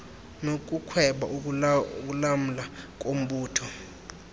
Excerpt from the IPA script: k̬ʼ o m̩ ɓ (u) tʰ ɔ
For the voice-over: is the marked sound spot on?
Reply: no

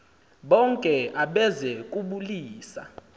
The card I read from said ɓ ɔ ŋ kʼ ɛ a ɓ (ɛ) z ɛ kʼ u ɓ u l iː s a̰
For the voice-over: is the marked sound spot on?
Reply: yes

